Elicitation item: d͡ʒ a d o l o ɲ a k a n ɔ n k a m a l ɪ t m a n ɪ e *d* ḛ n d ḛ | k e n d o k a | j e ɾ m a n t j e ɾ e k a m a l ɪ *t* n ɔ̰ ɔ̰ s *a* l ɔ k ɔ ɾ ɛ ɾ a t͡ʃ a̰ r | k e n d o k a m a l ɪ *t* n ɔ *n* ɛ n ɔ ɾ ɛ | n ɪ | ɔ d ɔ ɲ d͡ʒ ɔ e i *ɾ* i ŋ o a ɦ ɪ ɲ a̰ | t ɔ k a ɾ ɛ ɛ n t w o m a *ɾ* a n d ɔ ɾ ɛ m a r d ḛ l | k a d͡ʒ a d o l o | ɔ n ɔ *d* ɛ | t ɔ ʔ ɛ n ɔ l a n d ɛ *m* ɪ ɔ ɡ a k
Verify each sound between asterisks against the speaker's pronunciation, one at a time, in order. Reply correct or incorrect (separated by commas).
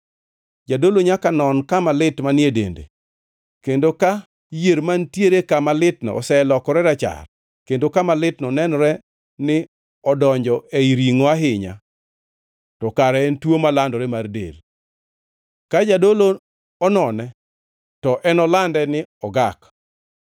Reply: correct, correct, incorrect, correct, correct, correct, incorrect, incorrect, incorrect